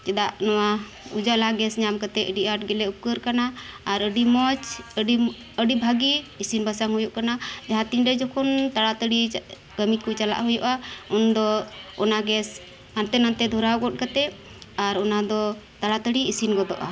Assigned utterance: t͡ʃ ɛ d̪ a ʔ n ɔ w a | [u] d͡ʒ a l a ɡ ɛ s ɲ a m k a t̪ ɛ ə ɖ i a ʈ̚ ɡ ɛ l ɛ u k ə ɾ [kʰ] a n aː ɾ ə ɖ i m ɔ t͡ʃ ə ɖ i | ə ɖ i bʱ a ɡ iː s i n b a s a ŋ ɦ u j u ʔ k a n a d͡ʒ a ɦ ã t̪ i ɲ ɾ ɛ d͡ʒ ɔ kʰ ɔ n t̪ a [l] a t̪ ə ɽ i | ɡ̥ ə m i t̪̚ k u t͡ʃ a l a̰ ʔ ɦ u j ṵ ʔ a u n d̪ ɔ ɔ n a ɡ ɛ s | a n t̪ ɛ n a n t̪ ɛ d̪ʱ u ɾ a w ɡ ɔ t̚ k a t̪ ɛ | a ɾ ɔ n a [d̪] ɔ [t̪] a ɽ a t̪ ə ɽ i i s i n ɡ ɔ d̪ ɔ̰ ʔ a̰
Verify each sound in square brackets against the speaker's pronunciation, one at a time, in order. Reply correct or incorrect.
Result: correct, incorrect, incorrect, correct, correct

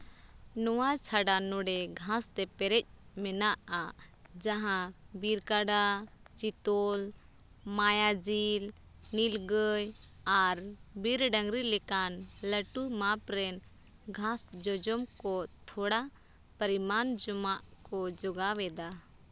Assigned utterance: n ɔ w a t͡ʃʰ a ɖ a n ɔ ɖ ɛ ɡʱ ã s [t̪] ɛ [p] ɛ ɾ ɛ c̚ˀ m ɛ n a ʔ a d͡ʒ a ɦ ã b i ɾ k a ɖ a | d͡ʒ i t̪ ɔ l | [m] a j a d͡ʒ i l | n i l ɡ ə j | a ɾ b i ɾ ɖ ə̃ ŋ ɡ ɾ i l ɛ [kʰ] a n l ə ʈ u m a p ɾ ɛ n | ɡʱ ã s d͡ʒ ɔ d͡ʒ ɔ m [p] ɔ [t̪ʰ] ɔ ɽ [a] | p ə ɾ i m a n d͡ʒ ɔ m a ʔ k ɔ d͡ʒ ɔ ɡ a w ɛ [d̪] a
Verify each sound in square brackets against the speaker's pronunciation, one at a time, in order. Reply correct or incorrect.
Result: correct, correct, correct, incorrect, incorrect, correct, correct, correct

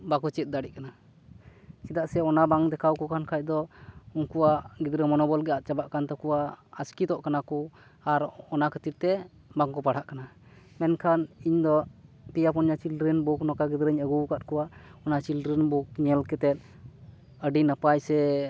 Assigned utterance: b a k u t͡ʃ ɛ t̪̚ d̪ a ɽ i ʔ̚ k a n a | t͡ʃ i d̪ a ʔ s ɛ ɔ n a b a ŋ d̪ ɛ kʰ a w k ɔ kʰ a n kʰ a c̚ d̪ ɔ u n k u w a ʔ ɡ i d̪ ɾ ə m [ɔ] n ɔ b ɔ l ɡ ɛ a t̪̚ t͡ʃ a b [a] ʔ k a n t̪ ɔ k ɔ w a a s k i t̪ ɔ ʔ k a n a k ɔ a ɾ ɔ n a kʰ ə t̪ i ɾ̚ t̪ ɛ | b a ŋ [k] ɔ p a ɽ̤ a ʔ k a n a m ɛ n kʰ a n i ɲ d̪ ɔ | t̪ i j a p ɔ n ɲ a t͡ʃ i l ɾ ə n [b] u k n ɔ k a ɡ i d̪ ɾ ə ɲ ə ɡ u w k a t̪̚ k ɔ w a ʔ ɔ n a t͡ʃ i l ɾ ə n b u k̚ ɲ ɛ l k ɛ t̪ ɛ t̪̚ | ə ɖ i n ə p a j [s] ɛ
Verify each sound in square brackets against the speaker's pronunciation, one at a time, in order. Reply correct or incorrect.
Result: correct, correct, correct, correct, correct

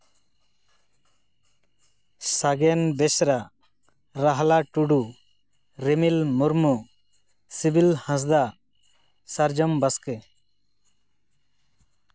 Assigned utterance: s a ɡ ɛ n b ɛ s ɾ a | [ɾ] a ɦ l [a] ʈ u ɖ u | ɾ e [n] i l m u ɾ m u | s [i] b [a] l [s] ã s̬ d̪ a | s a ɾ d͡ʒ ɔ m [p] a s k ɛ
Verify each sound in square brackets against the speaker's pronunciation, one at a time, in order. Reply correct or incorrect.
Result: correct, correct, incorrect, correct, incorrect, incorrect, incorrect

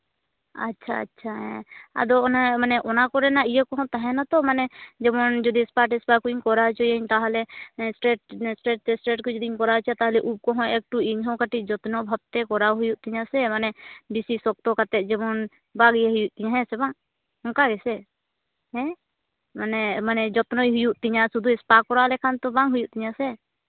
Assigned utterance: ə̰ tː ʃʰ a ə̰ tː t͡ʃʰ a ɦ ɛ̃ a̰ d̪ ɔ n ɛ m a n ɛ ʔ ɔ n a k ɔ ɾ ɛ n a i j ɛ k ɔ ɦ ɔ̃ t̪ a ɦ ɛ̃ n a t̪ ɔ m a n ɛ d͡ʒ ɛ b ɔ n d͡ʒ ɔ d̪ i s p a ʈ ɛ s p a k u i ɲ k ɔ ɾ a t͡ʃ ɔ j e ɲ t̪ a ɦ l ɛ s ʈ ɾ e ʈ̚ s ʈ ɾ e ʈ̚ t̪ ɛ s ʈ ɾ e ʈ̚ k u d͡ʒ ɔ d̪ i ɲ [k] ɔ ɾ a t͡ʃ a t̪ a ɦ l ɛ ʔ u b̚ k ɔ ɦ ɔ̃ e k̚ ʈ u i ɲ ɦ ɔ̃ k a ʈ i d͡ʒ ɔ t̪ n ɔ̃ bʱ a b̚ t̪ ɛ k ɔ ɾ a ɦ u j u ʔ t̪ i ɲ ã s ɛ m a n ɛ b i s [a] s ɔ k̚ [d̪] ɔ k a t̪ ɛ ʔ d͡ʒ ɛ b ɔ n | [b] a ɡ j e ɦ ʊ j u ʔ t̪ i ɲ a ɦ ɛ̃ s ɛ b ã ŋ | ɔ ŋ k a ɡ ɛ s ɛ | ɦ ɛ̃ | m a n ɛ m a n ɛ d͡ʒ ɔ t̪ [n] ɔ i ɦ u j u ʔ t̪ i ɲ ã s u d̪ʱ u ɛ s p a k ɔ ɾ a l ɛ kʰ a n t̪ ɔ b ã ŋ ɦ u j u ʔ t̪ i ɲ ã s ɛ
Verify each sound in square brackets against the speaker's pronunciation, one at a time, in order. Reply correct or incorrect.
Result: correct, incorrect, incorrect, correct, correct

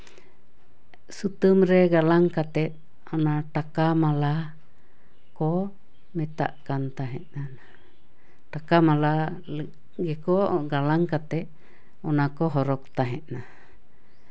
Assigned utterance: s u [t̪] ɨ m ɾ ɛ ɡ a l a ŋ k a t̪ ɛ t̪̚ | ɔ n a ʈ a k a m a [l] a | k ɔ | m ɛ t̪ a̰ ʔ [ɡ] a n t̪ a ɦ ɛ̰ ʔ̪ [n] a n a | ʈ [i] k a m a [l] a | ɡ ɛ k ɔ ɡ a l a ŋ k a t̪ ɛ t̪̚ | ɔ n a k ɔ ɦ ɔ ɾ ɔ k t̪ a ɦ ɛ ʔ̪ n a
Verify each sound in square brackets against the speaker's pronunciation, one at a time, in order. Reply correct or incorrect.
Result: correct, correct, incorrect, correct, incorrect, correct

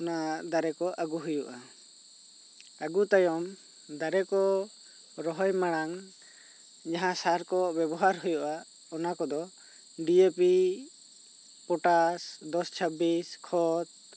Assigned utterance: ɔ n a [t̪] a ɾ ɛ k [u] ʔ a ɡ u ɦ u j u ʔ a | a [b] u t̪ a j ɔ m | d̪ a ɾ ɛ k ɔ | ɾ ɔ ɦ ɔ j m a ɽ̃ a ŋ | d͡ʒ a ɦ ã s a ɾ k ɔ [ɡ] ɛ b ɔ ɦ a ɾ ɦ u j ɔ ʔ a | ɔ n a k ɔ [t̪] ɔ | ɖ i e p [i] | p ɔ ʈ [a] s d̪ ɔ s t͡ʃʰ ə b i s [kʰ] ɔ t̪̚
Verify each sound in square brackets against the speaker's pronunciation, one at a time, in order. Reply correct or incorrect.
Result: incorrect, incorrect, incorrect, incorrect, incorrect, correct, correct, correct

